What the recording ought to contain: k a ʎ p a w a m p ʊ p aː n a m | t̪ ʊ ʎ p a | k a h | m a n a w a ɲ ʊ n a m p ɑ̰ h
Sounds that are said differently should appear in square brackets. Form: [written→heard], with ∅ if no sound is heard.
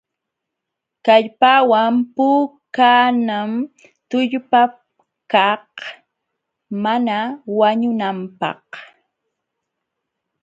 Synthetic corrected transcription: k a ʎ p a w a m p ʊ [p→k] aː n a m | t̪ ʊ ʎ p a | k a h | m a n a w a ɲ ʊ n a m p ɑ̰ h

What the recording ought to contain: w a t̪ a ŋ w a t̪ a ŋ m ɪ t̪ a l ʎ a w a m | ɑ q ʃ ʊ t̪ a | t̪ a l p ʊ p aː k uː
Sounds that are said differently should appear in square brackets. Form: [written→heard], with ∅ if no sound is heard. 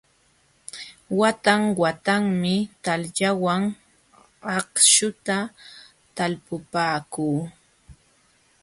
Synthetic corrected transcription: w a t̪ a ŋ w a t̪ a ŋ m ɪ t̪ a l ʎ a w a [m→ŋ] | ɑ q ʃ ʊ t̪ a | t̪ a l p ʊ p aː k uː

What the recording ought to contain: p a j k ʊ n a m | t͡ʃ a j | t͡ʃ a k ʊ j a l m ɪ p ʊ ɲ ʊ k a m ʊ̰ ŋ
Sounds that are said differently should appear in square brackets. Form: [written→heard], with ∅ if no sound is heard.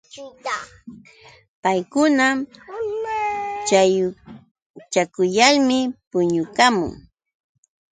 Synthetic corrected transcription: p a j k ʊ n a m | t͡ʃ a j | t͡ʃ a k ʊ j a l m ɪ p ʊ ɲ ʊ k a m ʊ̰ ŋ

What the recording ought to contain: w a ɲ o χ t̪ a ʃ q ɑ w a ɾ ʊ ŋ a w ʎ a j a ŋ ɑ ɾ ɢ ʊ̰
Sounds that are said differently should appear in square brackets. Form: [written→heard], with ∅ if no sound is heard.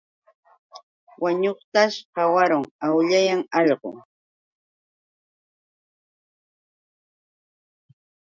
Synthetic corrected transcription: w a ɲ o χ t̪ a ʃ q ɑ w a ɾ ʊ ŋ a w ʎ a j a ŋ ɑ [ɾ→ʎ] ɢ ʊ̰

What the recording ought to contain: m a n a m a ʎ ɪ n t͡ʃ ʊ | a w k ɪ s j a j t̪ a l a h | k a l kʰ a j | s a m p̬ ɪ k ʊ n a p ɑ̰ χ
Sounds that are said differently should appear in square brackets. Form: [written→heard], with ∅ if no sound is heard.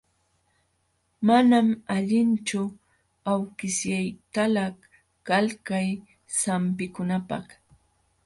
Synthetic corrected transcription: m a n a m a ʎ ɪ n t͡ʃ ʊ | a w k ɪ s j a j t̪ a l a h | k a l [kʰ→k] a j | s a m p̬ ɪ k ʊ n a p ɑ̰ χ

